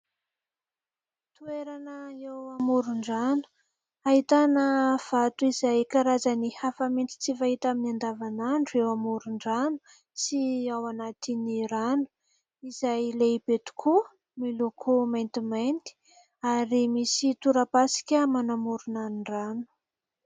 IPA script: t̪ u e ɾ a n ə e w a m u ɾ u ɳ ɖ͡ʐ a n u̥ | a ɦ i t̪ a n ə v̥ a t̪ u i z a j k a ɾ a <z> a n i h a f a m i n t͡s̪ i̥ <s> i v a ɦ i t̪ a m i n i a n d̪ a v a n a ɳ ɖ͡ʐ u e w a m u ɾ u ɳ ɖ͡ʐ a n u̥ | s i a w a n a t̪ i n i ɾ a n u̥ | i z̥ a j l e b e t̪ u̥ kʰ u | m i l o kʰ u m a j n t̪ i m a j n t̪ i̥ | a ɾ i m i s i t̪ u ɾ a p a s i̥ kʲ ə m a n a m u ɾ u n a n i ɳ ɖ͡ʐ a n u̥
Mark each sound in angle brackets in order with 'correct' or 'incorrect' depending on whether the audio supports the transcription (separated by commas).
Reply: correct, incorrect